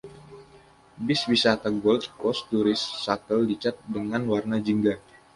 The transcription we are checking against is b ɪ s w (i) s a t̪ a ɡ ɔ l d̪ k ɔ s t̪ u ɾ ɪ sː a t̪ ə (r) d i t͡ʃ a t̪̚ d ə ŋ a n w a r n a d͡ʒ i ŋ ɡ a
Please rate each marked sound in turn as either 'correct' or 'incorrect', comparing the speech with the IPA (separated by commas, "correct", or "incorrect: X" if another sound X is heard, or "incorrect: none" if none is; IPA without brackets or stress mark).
correct, incorrect: l